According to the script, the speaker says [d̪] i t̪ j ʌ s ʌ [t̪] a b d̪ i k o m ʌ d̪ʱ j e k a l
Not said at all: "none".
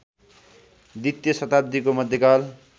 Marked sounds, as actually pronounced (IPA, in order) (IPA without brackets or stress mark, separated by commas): d̪, t̪